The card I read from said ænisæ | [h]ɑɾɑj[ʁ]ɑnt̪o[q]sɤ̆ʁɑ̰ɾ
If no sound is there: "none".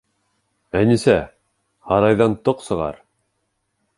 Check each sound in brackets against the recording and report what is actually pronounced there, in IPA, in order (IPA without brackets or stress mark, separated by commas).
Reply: h, ð, q